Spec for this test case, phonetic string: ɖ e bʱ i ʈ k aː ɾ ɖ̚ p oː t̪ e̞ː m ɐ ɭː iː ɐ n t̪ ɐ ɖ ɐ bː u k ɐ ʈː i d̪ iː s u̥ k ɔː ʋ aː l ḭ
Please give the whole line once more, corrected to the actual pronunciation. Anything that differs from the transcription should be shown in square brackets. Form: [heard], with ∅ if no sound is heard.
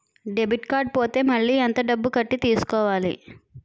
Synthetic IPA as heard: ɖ e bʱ i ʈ k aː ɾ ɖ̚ p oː t̪ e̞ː m ɐ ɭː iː ɐ n t̪ ɐ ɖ ɐ bː u k ɐ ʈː i [t̪] iː s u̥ k ɔː ʋ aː l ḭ